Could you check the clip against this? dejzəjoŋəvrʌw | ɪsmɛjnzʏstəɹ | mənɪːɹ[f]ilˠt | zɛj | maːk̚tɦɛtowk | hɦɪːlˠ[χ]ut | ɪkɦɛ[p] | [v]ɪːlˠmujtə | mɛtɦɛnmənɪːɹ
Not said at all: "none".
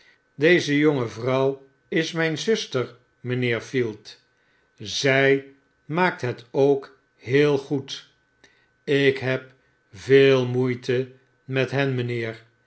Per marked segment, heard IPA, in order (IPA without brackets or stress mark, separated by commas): f, χ, p, v